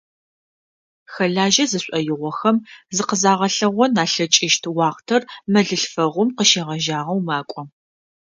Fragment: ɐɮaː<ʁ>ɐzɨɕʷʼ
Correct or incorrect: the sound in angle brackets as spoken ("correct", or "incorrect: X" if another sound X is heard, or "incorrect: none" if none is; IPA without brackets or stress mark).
incorrect: ʒ